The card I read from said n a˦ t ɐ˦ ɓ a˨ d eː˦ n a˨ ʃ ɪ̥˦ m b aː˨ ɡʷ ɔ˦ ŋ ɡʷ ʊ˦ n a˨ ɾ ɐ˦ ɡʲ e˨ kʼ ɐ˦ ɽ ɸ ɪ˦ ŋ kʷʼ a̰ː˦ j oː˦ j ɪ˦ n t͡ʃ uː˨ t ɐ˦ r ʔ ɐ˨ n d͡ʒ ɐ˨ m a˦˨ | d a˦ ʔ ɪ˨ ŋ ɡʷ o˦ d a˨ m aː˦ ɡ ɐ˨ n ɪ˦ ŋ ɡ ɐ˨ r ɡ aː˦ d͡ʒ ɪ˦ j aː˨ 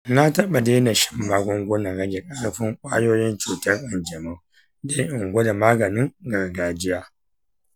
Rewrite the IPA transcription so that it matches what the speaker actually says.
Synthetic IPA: n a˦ t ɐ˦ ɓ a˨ d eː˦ n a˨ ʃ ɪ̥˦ m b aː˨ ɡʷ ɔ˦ ŋ ɡʷ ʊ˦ n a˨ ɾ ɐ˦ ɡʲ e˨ kʼ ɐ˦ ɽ ɸ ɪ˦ ŋ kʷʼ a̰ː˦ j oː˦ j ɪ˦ n t͡ʃ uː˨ t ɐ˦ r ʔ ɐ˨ n d͡ʒ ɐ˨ m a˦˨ | d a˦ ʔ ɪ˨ ŋ ɡʷ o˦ d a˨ m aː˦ ɡ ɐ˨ n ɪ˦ ŋ ɡ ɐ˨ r ɡ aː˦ d͡ʒ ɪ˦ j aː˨